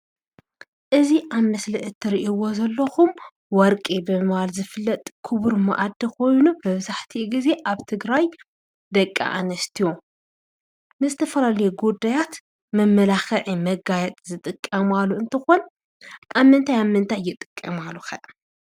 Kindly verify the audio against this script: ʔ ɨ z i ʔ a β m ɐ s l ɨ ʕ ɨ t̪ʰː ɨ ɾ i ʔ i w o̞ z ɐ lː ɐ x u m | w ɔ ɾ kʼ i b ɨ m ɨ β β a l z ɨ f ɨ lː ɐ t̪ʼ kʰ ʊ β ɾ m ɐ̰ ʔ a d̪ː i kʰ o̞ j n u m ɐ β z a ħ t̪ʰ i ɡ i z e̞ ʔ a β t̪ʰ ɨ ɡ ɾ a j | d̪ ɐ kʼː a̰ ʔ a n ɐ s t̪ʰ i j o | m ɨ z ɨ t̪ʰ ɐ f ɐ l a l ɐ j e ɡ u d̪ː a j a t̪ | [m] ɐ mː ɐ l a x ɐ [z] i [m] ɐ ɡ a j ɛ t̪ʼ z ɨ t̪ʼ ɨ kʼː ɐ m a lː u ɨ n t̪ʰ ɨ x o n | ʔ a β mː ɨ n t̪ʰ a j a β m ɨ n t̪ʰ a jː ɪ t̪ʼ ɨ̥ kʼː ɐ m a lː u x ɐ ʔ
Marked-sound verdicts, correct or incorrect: correct, incorrect, correct

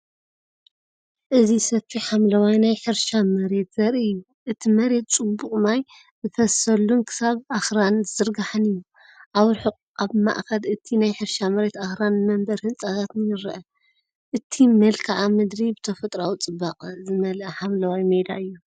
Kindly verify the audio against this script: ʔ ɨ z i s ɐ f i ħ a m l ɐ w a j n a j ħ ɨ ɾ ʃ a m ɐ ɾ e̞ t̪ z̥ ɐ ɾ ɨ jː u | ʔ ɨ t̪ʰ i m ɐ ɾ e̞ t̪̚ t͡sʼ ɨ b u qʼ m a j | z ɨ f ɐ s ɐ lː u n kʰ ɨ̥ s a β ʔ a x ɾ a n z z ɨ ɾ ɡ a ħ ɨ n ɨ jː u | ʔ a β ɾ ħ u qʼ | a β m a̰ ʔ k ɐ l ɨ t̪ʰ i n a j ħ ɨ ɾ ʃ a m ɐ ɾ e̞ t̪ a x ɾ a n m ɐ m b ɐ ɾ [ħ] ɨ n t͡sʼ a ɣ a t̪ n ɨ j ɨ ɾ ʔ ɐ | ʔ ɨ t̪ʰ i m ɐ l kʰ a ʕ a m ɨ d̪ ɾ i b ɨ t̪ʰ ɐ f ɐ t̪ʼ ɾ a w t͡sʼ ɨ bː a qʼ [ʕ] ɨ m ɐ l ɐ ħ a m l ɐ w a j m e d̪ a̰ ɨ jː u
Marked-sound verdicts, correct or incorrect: incorrect, incorrect

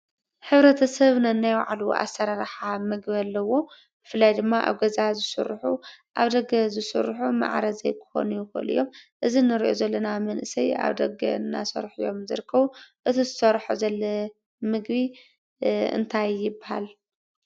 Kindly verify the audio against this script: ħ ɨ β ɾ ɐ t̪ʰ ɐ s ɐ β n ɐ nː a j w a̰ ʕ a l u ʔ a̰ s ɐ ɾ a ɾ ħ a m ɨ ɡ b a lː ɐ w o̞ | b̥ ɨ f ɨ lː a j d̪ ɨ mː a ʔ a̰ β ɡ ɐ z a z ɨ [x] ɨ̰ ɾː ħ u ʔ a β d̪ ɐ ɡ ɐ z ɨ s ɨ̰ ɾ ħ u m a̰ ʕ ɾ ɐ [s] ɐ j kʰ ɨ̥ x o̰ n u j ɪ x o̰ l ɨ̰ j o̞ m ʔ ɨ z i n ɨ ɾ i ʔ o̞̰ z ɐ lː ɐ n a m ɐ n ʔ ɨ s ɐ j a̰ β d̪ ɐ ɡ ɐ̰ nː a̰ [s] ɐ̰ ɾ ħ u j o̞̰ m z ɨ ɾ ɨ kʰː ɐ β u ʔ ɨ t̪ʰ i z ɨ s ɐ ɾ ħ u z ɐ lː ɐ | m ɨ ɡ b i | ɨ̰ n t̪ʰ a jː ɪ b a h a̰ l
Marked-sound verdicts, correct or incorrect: incorrect, incorrect, correct

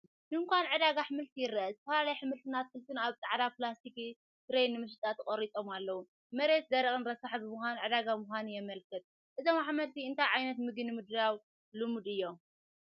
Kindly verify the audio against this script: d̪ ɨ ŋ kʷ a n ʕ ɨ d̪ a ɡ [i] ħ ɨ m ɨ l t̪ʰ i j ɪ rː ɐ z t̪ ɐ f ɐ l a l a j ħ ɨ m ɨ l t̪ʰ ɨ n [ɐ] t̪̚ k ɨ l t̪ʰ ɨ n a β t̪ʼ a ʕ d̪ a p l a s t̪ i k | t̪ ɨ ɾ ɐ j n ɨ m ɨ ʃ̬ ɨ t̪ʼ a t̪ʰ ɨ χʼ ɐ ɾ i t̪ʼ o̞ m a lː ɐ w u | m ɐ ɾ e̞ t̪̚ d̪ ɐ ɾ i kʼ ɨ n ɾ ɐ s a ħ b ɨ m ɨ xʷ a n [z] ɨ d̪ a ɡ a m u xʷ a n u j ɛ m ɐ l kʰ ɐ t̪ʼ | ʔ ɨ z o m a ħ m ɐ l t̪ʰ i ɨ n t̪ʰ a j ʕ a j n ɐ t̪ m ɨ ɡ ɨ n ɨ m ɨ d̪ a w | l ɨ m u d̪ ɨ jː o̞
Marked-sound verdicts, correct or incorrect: incorrect, incorrect, incorrect

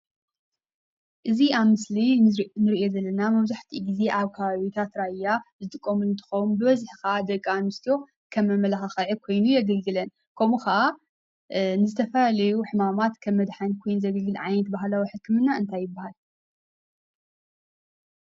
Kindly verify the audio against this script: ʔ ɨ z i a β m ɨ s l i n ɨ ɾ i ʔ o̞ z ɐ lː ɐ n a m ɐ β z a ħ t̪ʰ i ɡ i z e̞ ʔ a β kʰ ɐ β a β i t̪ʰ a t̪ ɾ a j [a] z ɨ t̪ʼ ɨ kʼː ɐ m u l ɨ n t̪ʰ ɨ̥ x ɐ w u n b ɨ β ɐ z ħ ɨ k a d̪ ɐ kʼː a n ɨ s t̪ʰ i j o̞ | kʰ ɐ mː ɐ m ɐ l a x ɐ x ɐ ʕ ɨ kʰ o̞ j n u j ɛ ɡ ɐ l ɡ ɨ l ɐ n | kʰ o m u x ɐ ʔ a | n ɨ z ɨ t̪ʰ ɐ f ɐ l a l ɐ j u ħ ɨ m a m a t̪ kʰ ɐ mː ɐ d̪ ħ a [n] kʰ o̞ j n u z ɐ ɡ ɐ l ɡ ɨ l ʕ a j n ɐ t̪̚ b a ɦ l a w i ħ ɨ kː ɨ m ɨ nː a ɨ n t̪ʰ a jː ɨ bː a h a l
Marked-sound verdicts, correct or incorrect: correct, correct

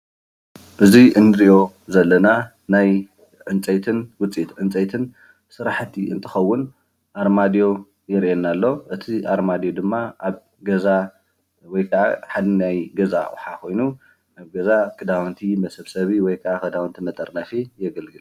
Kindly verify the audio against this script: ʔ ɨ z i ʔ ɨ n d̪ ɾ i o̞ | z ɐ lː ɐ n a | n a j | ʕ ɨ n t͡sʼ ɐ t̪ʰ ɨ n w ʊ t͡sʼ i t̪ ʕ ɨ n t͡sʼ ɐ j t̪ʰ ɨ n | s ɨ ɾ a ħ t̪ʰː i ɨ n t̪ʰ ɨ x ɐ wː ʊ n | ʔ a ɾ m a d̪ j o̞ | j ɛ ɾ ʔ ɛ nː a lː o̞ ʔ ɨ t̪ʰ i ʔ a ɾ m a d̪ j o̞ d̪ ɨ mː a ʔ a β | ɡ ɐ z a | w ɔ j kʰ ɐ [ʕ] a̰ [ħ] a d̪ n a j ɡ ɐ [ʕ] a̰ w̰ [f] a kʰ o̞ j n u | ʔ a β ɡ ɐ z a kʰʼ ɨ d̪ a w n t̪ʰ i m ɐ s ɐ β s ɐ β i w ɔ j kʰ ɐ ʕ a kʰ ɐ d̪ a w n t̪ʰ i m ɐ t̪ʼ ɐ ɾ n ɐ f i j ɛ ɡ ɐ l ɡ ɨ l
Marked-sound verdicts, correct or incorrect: correct, correct, incorrect, incorrect

